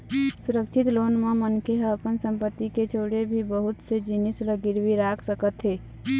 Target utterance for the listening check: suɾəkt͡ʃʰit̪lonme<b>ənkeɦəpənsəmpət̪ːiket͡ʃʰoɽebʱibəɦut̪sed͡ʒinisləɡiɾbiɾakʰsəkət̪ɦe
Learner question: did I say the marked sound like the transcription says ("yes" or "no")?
no